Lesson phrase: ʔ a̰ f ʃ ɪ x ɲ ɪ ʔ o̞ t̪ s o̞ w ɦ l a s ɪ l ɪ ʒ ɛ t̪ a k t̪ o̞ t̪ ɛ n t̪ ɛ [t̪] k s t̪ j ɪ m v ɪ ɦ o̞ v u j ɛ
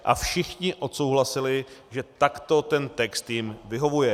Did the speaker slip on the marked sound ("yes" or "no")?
yes